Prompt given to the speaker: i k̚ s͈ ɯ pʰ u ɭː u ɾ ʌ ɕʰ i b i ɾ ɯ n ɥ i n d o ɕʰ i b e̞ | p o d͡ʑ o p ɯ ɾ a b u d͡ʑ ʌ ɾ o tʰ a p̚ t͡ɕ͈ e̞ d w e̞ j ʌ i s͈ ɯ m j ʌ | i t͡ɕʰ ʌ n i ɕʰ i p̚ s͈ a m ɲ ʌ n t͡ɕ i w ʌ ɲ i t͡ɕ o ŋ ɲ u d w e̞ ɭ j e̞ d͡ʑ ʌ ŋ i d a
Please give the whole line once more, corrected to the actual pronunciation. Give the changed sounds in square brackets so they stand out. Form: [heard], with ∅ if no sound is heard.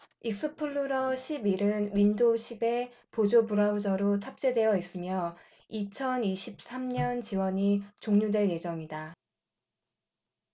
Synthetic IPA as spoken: i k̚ s͈ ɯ pʰ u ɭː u ɾ ʌ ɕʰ i b i ɾ ɯ n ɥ i n d o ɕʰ i b e̞ | p o d͡ʑ o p [u] ɾ a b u d͡ʑ ʌ ɾ o tʰ a p̚ t͡ɕ͈ e̞ d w e̞ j ʌ i s͈ ɯ m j ʌ | i t͡ɕʰ ʌ n i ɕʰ i p̚ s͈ a m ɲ ʌ n t͡ɕ i w ʌ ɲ i t͡ɕ o ŋ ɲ u d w e̞ ɭ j e̞ d͡ʑ ʌ ŋ i d a

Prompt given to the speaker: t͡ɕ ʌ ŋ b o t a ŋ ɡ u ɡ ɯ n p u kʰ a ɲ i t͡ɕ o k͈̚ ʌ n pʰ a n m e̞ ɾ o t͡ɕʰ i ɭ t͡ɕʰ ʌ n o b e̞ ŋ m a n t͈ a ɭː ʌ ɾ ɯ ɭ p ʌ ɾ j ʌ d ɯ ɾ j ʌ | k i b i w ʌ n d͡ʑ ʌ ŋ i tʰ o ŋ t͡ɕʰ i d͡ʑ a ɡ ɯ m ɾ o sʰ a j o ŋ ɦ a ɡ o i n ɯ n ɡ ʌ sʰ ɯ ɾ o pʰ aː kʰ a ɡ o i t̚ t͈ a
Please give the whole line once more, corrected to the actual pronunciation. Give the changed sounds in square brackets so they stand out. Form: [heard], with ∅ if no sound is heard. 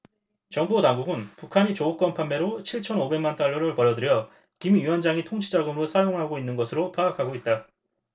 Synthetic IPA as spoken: t͡ɕ ʌ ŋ b o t a ŋ ɡ u ɡ ɯ n p u kʰ a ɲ i t͡ɕ o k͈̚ ʌ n pʰ a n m e̞ ɾ o t͡ɕʰ i ɭ t͡ɕʰ ʌ n o b e̞ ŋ m a n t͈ a ɭː ʌ ɾ ɯ ɭ p ʌ ɾ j ʌ d ɯ ɾ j ʌ | k i [m] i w ʌ n d͡ʑ [a] ŋ i tʰ o ŋ t͡ɕʰ i d͡ʑ a ɡ ɯ m ɾ o sʰ a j o ŋ ɦ a ɡ o i [nː] ɯ n ɡ ʌ sʰ ɯ ɾ o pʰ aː kʰ a ɡ o i t̚ t͈ a

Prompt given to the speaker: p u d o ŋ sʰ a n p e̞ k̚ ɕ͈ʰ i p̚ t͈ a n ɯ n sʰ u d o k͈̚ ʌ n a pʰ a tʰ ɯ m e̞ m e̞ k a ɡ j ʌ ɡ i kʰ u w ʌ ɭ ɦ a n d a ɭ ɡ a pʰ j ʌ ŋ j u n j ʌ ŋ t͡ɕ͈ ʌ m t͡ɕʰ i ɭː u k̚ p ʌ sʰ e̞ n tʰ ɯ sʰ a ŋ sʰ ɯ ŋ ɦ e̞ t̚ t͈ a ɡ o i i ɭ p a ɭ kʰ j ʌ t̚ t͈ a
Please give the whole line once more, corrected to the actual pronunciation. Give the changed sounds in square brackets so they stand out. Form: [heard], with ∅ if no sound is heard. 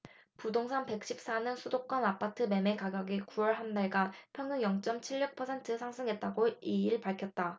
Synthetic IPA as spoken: p u d o ŋ sʰ a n p e̞ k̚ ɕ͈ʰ i p̚ [s͈] a n ɯ n sʰ u d o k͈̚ ʌ n a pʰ a tʰ ɯ m e̞ m e̞ k a ɡ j ʌ ɡ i [k] u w ʌ ɭ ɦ a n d a ɭ ɡ a pʰ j ʌ ŋ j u [ŋ] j ʌ ŋ t͡ɕ͈ ʌ m t͡ɕʰ i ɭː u k̚ [pʰ] ʌ sʰ e̞ n tʰ ɯ sʰ a ŋ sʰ ɯ ŋ ɦ e̞ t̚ t͈ a ɡ o i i ɭ p a ɭ kʰ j ʌ t̚ t͈ a

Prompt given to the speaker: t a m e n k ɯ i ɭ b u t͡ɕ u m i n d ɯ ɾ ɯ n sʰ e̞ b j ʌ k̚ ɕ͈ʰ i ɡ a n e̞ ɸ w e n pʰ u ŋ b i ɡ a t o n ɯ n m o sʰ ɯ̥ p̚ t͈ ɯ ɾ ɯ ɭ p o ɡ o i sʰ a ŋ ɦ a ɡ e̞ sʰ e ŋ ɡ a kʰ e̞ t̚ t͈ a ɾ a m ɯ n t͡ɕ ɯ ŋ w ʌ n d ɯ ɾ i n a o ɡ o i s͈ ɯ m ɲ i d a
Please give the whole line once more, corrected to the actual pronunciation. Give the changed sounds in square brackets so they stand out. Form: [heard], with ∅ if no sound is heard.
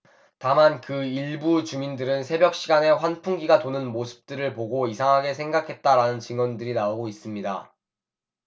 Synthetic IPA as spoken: t a m [a] n k ɯ i ɭ b u t͡ɕ u m i n d ɯ ɾ ɯ n sʰ e̞ b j ʌ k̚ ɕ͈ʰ i ɡ a n e̞ ɸ w [a] n pʰ u ŋ [ɡ] i ɡ a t o n ɯ n m o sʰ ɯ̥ p̚ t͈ ɯ ɾ ɯ ɭ p o ɡ o i sʰ a ŋ ɦ a ɡ e̞ sʰ e ŋ ɡ a kʰ e̞ t̚ t͈ a ɾ a [n] ɯ n t͡ɕ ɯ ŋ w ʌ n d ɯ ɾ i n a o ɡ o i s͈ ɯ m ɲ i d a

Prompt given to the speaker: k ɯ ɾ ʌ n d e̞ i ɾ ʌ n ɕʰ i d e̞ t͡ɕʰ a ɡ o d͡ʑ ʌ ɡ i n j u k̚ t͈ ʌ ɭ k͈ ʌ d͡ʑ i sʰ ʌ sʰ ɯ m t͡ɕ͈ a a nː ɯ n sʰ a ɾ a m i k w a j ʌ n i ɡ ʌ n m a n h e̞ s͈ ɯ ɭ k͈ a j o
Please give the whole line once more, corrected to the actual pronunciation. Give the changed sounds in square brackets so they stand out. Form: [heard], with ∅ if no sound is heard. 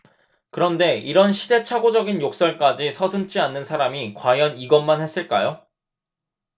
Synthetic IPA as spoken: k ɯ ɾ ʌ n d e̞ i ɾ ʌ n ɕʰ i d e̞ t͡ɕʰ a ɡ o d͡ʑ ʌ ɡ i n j [o] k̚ [s͈] ʌ ɭ k͈ [a] d͡ʑ i sʰ ʌ sʰ ɯ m t͡ɕ͈ [i] a nː ɯ n sʰ a ɾ a m i k w a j ʌ n i ɡ ʌ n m a n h e̞ s͈ ɯ ɭ k͈ a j o

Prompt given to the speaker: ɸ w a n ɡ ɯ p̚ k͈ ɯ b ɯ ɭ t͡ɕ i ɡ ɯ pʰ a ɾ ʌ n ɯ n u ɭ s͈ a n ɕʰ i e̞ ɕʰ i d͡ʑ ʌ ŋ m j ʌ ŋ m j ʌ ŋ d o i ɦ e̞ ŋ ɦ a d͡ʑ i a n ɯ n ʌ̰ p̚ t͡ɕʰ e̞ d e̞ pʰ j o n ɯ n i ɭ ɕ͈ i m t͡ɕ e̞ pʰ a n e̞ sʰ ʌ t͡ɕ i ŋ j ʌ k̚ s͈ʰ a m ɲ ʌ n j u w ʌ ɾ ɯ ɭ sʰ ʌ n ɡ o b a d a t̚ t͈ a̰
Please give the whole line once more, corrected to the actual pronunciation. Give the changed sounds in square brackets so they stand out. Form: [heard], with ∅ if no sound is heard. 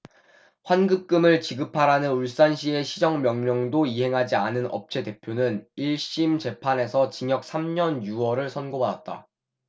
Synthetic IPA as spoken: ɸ w a n ɡ ɯ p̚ k͈ ɯ [m] ɯ ɭ t͡ɕ i ɡ ɯ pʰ a ɾ [a] n ɯ n u ɭ s͈ a n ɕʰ i e̞ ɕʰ i d͡ʑ ʌ ŋ m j ʌ ŋ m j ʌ ŋ d o i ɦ e̞ ŋ ɦ a d͡ʑ i a n ɯ n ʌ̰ p̚ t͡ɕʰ e̞ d e̞ pʰ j o n ɯ n i ɭ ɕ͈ i m t͡ɕ e̞ pʰ a n e̞ sʰ ʌ t͡ɕ i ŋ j ʌ k̚ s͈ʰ a m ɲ ʌ n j u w ʌ ɾ ɯ ɭ sʰ ʌ n ɡ o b a d a t̚ t͈ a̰

